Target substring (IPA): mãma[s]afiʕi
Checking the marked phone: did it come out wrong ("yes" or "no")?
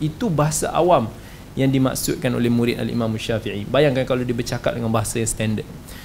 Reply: yes